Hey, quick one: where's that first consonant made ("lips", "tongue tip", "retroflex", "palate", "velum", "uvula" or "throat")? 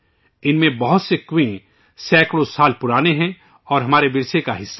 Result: tongue tip